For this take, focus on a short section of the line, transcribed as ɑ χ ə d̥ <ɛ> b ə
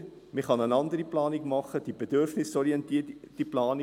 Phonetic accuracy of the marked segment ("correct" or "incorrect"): incorrect